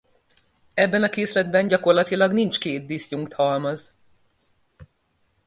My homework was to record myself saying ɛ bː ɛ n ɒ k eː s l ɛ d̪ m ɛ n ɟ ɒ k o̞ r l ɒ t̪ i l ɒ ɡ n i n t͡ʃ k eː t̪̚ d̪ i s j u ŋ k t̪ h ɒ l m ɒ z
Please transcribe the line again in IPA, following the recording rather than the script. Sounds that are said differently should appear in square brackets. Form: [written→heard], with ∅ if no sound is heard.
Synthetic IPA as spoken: ɛ bː ɛ n ɒ k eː s l ɛ d̪ [m→b] ɛ n ɟ ɒ k o̞ r l ɒ t̪ i l ɒ ɡ n i n t͡ʃ k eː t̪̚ d̪ i s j u ŋ k t̪ h ɒ l m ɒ z